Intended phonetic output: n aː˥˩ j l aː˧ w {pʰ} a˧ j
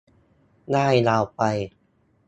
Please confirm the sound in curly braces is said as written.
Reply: no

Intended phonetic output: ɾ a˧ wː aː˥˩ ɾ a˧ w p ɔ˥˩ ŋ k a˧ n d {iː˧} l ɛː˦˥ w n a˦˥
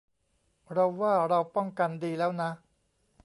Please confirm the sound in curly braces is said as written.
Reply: yes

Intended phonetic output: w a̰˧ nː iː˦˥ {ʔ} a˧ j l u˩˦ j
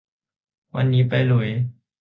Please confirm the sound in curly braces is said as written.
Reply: no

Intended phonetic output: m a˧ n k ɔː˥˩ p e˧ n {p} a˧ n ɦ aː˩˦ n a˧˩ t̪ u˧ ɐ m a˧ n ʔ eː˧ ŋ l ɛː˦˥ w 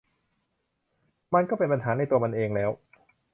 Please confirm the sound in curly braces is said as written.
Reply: yes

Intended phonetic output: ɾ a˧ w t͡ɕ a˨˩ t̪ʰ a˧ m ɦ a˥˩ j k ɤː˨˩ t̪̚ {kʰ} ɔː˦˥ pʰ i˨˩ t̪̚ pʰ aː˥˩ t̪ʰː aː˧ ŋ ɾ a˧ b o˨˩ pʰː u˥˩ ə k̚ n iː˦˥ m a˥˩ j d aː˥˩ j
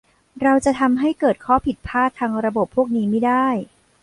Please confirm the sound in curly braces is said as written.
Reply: yes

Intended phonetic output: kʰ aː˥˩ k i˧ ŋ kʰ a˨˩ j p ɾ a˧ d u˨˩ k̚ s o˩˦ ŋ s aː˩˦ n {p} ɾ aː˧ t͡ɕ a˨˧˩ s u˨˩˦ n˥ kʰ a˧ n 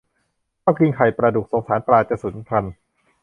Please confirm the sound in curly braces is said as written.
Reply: yes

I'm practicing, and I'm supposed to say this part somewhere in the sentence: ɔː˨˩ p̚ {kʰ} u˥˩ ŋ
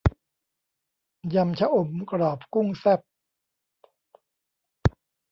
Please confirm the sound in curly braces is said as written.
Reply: no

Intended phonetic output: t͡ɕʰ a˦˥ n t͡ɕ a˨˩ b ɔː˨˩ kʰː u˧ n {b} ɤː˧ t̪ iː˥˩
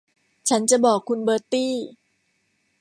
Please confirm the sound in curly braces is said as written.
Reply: yes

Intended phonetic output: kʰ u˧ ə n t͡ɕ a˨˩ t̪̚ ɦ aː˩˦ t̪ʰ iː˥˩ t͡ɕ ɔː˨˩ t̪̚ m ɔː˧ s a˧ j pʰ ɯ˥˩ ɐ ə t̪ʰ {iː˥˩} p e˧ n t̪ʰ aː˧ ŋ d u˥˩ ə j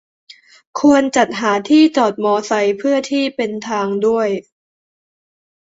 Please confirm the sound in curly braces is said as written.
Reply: yes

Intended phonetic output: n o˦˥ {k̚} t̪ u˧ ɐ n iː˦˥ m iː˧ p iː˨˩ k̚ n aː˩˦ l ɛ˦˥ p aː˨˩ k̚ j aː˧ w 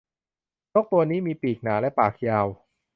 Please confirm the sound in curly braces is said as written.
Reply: yes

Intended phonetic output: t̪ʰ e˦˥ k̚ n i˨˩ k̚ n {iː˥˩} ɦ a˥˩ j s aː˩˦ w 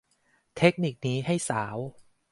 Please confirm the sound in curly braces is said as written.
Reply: no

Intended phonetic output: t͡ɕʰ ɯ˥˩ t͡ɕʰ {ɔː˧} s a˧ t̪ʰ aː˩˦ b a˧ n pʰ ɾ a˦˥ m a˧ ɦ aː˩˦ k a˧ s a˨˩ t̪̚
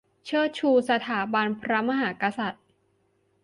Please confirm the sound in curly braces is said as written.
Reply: no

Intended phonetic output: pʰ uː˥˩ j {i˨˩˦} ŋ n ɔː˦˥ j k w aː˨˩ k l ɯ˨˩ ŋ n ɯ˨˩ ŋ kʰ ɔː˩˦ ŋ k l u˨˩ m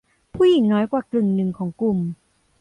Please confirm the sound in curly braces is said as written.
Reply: yes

